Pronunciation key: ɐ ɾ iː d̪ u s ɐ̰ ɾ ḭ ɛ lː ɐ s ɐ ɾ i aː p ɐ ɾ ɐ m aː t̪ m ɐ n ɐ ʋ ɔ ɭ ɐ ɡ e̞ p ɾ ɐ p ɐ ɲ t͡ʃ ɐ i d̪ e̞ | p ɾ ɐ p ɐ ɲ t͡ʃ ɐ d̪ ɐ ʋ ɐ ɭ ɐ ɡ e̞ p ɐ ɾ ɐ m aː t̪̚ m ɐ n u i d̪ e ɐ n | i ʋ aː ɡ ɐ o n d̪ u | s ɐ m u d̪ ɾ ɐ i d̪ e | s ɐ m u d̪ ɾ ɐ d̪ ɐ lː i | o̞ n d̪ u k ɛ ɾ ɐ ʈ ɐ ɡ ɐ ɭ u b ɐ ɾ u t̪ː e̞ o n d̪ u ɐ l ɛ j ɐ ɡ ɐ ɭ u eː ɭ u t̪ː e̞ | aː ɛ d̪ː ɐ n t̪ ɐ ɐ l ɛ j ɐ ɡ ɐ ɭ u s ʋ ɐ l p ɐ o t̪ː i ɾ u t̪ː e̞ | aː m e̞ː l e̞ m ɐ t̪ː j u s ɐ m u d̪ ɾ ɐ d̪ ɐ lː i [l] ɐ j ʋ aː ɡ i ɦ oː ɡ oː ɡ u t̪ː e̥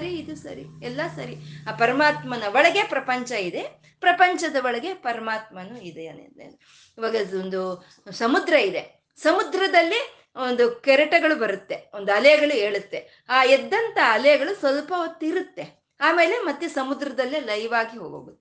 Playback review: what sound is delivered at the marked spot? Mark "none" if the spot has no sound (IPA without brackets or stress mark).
l